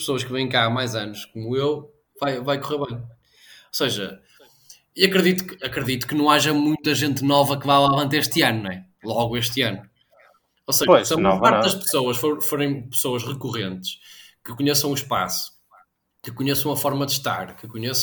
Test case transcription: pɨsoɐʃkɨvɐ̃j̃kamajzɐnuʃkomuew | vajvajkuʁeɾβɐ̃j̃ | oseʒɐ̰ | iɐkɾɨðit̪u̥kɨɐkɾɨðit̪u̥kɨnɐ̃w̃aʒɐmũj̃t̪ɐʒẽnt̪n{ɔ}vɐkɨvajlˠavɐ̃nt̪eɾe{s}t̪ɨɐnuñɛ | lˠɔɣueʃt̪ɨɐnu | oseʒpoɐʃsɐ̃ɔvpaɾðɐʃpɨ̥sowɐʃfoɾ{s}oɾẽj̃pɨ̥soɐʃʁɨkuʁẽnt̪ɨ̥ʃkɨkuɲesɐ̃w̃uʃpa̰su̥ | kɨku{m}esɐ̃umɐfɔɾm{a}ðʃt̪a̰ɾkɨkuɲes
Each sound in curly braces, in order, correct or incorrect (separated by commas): correct, incorrect, incorrect, incorrect, incorrect